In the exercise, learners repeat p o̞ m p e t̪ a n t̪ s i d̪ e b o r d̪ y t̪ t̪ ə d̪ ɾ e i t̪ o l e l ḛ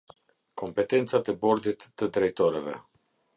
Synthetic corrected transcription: k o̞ m p e t̪ e n t̪ s a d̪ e b o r d̪ i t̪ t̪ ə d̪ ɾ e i t̪ o ɾ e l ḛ